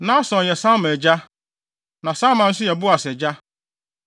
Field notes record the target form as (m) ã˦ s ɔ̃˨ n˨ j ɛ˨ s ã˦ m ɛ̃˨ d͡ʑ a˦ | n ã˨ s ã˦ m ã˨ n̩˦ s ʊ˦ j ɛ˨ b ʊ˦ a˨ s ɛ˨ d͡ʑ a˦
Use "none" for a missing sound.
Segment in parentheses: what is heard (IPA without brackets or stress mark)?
n